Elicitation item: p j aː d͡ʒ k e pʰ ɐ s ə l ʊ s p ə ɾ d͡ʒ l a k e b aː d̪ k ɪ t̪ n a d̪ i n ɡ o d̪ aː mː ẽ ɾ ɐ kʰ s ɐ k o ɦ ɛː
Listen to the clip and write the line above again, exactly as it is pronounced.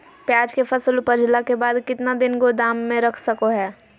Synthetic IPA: p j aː d͡ʒ k e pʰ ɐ s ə l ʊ p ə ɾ d͡ʒ l a k e b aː d̪ k ɪ t̪ n a d̪ ɪ n ɡ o d̪ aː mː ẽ ɾ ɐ kʰ s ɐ k o ɦ ɛː